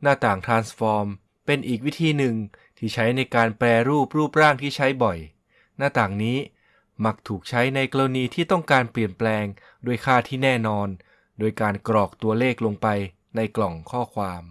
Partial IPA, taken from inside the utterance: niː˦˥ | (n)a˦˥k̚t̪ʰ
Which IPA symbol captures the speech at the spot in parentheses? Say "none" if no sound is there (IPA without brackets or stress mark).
m